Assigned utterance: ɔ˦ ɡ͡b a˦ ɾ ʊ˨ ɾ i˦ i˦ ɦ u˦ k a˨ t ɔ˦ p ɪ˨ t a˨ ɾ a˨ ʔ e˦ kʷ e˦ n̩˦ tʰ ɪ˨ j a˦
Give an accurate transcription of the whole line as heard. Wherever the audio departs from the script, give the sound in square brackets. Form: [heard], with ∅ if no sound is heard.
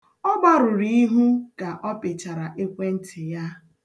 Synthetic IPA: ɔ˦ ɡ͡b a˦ ɾ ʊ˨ ɾ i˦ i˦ ɦ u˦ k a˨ [ʔ] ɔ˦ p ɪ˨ [t͡ʃ] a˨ ɾ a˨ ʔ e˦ kʷ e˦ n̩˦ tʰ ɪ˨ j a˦